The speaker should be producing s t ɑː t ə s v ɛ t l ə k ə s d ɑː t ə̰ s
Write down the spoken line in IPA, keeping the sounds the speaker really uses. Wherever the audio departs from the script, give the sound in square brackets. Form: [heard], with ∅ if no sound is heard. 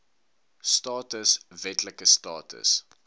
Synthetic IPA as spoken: s t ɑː t ə s v ɛ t l ə k ə s [t] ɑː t ə̰ s

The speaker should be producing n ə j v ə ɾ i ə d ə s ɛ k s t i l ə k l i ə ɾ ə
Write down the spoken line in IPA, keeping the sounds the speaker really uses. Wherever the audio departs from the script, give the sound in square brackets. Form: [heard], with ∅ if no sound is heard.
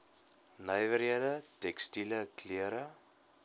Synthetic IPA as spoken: n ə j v ə ɾ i ə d ə [t] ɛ k s t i l ə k l i ə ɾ ə

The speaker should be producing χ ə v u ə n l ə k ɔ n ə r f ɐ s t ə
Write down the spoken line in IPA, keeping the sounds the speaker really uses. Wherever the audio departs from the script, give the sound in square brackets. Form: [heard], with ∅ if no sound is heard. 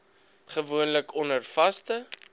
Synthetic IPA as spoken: χ ə v u ə n l ə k ɔ n ə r f ɐ s t ə

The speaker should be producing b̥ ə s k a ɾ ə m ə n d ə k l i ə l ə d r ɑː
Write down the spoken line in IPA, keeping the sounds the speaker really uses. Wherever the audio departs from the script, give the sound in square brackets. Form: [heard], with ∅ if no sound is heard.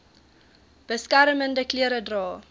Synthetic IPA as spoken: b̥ ə s k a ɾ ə m ə n d ə k l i ə [ɾ] ə d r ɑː

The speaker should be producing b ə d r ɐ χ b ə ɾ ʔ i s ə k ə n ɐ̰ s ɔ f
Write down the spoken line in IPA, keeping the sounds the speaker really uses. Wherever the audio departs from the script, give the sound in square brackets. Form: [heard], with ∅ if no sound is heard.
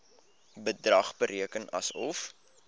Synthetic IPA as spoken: b ə d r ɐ χ b ə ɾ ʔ i [∅] ə k ə n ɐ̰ s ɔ f

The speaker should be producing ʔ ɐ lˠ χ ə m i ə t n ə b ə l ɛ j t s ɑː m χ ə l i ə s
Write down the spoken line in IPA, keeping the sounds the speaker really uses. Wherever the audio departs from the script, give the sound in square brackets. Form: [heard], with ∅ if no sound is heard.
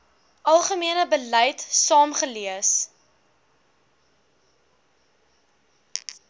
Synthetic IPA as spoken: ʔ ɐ lˠ χ ə m i ə [∅] n ə b ə l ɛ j t s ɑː m χ ə l i ə s

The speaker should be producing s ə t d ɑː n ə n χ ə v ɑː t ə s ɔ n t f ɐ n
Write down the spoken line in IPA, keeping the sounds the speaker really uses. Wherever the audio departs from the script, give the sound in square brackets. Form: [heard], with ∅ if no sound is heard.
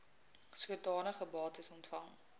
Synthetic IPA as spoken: s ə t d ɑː n ə [∅] χ ə [b] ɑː t ə s ɔ n t f ɐ [ŋ]

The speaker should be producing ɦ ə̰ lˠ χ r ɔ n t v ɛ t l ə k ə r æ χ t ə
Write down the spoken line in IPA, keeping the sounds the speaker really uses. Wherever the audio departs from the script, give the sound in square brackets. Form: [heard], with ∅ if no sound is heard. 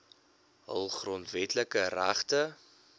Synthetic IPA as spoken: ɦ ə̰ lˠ χ r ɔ n t v ɛ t l ə k ə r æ χ t ə

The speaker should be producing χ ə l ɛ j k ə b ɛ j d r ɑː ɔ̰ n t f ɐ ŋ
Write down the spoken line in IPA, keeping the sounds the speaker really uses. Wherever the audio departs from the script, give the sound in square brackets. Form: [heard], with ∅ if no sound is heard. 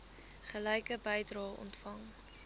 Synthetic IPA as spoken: χ ə l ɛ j k ə b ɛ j d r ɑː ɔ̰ n t f ɐ ŋ

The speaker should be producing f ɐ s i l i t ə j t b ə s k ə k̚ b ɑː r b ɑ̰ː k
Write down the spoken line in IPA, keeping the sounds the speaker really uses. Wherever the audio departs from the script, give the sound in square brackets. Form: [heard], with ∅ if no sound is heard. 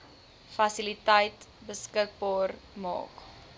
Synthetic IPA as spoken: f ɐ s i l i t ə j t b ə s k ə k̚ b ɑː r [m] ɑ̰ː k

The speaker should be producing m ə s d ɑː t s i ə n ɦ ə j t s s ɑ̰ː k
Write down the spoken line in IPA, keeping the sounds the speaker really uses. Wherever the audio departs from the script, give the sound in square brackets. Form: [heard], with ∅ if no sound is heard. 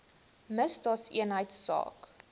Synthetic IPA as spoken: m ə s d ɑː t s i ə n ɦ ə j t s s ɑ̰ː k

